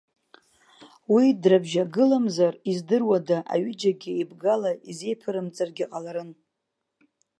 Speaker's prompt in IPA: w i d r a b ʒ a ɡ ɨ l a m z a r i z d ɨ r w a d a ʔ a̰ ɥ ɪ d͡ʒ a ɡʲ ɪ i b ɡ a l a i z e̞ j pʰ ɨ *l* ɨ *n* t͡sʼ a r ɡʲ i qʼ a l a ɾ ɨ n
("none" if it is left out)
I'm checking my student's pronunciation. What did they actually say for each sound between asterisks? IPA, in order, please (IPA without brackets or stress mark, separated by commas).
ɾ, m